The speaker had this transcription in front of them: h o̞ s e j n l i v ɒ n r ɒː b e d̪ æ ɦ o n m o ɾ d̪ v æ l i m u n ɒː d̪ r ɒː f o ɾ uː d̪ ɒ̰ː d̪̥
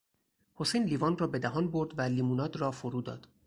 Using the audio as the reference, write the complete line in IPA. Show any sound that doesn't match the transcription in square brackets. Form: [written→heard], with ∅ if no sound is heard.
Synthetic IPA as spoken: h o̞ s e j n l i v ɒ n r ɒː b e d̪ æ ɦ [o→ɒ] n [m→b] o ɾ d̪ v æ l i m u n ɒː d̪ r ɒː f o ɾ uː d̪ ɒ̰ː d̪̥

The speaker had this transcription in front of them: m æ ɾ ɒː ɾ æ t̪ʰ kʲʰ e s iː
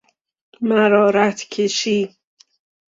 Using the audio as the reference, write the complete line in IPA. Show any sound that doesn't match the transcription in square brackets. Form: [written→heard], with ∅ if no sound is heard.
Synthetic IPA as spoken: m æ ɾ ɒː ɾ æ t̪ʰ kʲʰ e [s→ʃ] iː

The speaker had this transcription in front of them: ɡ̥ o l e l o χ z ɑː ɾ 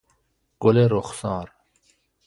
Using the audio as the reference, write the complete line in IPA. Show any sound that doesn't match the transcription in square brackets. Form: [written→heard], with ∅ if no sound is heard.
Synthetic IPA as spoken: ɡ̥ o l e [l→ɾ] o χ [z→s] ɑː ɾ

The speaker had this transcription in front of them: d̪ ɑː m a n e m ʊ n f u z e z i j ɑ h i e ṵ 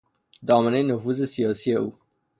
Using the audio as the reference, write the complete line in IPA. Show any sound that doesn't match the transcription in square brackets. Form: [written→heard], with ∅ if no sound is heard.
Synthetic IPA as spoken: d̪ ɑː m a n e [m→n] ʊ [n→∅] f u z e [z→s] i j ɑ [h→s] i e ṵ

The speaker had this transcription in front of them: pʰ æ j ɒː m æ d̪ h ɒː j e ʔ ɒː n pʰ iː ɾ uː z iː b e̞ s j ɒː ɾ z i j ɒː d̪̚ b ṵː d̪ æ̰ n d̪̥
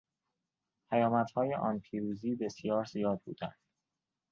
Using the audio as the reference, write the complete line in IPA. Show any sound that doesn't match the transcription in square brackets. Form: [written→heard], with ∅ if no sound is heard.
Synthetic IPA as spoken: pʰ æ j ɒː m æ [d̪→t̪] h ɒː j e ʔ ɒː n pʰ iː ɾ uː z iː b e̞ s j ɒː ɾ z i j ɒː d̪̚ b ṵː d̪ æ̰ n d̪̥

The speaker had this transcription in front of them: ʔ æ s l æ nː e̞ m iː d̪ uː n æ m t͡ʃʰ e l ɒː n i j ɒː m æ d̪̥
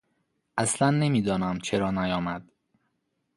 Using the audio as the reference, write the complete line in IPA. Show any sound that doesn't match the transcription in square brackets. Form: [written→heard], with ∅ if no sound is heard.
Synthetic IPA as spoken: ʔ æ s l æ nː e̞ m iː d̪ [uː→ɒː] n æ m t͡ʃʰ e [l→ɾ] ɒː n [i→æ] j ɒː m æ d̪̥

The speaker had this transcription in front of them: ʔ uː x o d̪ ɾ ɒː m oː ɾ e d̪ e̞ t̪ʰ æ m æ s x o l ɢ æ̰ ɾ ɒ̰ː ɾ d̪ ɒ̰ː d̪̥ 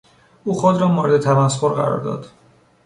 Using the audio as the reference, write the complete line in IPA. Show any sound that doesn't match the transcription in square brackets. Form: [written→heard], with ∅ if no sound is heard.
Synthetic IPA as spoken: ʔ uː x o d̪ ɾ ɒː m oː ɾ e d̪ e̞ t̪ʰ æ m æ s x o [l→ɾ] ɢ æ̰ ɾ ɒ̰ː ɾ d̪ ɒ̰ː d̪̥

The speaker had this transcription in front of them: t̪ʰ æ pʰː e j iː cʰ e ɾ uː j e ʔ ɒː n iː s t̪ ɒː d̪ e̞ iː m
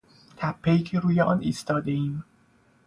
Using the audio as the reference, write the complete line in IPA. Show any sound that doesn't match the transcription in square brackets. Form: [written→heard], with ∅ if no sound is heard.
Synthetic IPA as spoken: t̪ʰ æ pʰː e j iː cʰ e ɾ uː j e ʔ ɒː n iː s t̪ ɒː d̪ e̞ iː m

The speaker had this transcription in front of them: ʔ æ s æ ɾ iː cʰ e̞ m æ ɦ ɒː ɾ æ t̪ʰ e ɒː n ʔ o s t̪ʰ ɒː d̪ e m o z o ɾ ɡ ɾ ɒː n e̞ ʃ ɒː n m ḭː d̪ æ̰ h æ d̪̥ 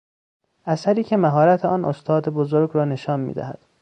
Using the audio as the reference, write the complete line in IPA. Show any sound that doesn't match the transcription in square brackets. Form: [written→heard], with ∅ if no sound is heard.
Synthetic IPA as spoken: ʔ æ s æ ɾ iː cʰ e̞ m æ ɦ ɒː ɾ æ t̪ʰ e ɒː n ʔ o s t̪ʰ ɒː d̪ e [m→b] o z o ɾ ɡ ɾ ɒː n e̞ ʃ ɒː n m ḭː d̪ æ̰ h æ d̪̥

